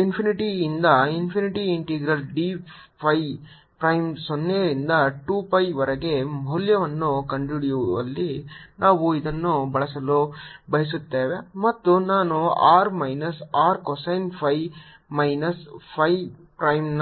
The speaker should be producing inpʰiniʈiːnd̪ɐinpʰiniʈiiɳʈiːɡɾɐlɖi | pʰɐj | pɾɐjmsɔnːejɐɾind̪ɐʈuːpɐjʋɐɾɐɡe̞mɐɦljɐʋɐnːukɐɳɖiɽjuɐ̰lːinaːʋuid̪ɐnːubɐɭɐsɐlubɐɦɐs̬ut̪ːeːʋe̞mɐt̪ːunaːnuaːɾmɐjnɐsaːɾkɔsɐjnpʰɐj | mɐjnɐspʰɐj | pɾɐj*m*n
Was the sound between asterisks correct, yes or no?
yes